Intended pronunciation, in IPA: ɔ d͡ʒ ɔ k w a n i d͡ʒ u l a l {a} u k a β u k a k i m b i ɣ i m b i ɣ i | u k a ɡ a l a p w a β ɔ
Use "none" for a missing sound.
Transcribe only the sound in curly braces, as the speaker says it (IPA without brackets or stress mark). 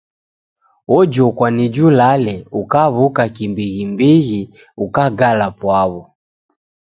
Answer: ɛ